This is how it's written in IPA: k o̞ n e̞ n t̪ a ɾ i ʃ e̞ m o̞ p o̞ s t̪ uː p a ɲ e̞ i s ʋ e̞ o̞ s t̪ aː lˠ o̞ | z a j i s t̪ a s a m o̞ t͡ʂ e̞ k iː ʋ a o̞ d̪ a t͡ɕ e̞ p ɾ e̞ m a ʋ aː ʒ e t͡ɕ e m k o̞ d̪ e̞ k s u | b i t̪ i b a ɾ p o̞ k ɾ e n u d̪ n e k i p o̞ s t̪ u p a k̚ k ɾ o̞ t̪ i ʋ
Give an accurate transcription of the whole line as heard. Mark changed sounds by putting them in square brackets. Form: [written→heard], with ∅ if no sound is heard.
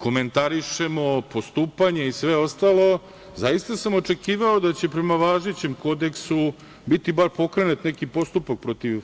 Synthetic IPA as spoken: k o̞ [n→m] e̞ n t̪ a ɾ i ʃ e̞ m o̞ p o̞ s t̪ uː p a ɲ e̞ i s ʋ e̞ o̞ s t̪ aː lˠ o̞ | z a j i s t̪ a s a m o̞ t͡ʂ e̞ k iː ʋ a o̞ d̪ a t͡ɕ e̞ p ɾ e̞ m a ʋ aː ʒ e t͡ɕ e m k o̞ d̪ e̞ k s u | b i t̪ i b a ɾ p o̞ k ɾ e n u [d̪→t̪] n e k i p o̞ s t̪ u p a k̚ [k→p] ɾ o̞ t̪ i ʋ